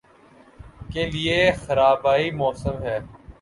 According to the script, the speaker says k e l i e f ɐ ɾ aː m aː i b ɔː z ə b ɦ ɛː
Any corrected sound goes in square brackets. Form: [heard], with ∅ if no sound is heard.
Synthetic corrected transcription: k e l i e [x] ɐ ɾ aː [b] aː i [m] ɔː [s] ə [m] ɦ ɛː

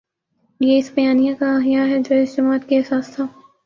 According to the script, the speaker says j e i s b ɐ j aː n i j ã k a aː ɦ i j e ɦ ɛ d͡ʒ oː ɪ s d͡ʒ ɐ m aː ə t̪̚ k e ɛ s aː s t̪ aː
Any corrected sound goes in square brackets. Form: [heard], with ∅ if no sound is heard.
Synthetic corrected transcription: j e [ɪ] s b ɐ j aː n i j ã k a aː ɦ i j [a] ɦ ɛ d͡ʒ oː ɪ s d͡ʒ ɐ m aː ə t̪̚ k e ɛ s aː s [t̪ʰ] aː

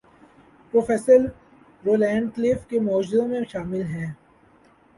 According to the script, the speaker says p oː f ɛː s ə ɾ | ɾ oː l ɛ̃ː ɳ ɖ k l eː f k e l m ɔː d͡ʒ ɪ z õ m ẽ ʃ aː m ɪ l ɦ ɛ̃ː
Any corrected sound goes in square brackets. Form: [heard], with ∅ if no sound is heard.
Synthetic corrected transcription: p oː f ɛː s ə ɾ | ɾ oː l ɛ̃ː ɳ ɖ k l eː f k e [∅] m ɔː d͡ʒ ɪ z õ m ẽ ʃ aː m ɪ l ɦ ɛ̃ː

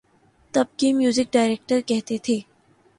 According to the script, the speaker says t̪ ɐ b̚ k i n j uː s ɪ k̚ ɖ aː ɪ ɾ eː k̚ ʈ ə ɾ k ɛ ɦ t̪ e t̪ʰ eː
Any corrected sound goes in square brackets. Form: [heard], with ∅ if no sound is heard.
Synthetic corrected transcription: t̪ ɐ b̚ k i [m] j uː [z] ɪ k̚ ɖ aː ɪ ɾ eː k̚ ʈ ə ɾ k ɛ ɦ t̪ e t̪ʰ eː

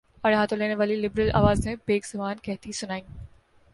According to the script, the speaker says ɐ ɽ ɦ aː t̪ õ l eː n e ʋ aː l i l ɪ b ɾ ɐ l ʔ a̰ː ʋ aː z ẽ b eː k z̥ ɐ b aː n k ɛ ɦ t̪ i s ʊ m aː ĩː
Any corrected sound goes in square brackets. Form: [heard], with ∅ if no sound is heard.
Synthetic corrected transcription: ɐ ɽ ɦ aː t̪ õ l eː n e ʋ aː l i l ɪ b ɾ [ə] l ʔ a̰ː ʋ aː z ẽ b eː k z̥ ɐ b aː n k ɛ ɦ t̪ i s ʊ [n] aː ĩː

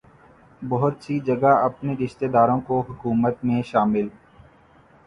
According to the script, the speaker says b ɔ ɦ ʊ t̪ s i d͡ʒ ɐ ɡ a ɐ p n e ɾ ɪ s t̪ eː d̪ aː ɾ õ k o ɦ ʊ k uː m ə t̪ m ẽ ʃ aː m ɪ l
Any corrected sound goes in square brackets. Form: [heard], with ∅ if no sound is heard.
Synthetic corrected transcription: b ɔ ɦ ʊ t̪ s i d͡ʒ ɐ ɡ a ɐ p n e ɾ ɪ [ʃ] t̪ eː d̪ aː ɾ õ k o ɦ ʊ k uː m ə t̪ m ẽ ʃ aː m ɪ l

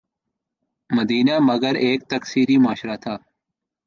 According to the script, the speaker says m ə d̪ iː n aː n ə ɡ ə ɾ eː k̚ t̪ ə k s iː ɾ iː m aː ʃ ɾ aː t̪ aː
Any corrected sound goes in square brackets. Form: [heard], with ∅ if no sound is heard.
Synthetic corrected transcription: m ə d̪ iː n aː [m] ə ɡ ə ɾ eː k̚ t̪ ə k s iː ɾ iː m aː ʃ ɾ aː [t̪ʰ] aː

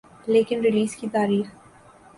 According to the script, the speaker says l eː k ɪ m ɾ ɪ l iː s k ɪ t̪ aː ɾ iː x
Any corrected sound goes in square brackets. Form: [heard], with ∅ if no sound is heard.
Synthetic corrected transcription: l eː k ɪ [n] ɾ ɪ l iː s k [i] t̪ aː ɾ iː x

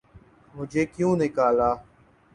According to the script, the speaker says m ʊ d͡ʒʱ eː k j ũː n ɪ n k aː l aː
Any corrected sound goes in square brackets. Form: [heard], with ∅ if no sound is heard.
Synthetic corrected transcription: m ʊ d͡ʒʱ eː k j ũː n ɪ [∅] k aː l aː

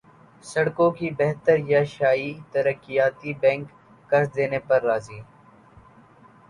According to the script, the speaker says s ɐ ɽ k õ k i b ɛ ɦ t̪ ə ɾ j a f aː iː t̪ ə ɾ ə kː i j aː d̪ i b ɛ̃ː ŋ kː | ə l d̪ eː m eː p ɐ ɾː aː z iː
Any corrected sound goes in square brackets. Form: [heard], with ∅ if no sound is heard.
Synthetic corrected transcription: s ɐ ɽ k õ k i b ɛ ɦ t̪ ə ɾ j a [ʃ] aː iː t̪ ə ɾ ə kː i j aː [t̪] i b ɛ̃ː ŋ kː | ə [ɾ] d̪ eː [n] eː p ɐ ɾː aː z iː

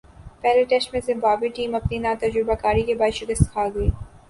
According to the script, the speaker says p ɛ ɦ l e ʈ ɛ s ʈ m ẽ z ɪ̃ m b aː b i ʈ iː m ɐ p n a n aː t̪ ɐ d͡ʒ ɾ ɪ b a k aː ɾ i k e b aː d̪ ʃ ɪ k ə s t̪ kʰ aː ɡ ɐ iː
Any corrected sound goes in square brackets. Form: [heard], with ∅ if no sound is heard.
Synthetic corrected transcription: p ɛ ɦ l e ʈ ɛ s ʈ m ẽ z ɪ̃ m b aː b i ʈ iː m ɐ p n [i] n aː t̪ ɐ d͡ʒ ɾ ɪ b a k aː ɾ i k e b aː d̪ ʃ ɪ k ə s t̪ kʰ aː ɡ ɐ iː

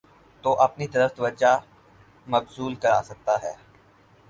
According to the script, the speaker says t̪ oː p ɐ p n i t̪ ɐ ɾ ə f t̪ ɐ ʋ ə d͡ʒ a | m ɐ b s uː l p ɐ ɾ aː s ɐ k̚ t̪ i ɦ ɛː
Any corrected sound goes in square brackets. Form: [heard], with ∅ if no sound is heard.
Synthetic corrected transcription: t̪ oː [ʔ] ɐ p n i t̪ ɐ ɾ ə f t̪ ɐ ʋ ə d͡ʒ a | m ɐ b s uː l [k] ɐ ɾ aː s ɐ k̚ t̪ [a] ɦ ɛː

